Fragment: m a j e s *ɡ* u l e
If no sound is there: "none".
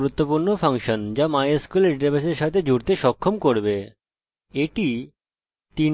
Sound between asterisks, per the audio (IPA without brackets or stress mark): k